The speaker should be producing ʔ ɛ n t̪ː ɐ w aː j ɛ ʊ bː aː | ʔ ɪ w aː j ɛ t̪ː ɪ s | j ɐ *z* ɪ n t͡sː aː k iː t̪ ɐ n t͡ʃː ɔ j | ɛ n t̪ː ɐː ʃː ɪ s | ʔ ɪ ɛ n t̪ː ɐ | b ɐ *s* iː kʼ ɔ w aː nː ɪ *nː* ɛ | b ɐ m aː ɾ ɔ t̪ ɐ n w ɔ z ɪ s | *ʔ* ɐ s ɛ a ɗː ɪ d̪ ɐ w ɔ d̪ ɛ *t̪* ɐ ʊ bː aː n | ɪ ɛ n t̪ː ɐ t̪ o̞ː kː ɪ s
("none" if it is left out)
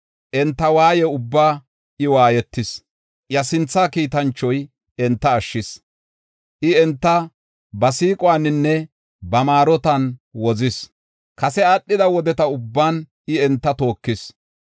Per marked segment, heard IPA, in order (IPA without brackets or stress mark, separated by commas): s, s, nː, k, t̪